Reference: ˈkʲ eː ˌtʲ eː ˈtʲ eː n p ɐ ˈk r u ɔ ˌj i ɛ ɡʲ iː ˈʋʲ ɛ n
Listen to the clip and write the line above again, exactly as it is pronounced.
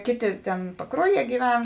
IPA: ˈkʲ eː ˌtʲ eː ˈtʲ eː n p ɐ ˈk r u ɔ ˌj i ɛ ɡʲ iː ˈʋʲ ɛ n